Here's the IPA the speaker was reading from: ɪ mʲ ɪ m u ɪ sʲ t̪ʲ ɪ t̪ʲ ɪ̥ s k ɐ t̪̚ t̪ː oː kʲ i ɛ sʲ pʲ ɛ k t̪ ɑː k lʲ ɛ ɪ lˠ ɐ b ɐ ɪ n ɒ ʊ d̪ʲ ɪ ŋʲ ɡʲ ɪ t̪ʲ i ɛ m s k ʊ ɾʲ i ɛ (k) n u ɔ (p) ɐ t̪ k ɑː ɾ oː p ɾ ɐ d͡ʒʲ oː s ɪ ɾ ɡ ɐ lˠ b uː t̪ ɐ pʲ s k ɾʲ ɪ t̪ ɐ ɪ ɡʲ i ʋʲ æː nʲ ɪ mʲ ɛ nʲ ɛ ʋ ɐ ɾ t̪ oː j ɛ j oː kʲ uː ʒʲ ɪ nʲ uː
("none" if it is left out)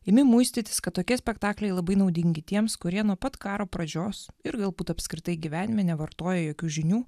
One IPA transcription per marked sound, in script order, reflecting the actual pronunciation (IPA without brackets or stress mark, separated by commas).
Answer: none, p